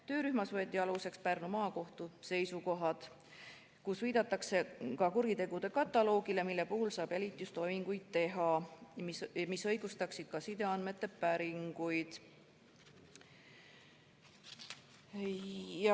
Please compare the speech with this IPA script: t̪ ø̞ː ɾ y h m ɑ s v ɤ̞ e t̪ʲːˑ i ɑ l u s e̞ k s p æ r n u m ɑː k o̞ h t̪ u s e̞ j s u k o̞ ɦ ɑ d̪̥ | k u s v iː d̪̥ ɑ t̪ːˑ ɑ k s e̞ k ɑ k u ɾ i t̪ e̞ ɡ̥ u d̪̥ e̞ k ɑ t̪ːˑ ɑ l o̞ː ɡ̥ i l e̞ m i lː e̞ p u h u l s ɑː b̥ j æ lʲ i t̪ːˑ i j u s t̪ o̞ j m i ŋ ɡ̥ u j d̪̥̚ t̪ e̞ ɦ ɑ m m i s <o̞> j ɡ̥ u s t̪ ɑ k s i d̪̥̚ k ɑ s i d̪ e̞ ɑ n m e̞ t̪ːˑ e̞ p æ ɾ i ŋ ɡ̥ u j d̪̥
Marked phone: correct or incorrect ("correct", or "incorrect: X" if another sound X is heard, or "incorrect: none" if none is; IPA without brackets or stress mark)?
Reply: incorrect: ɤ̞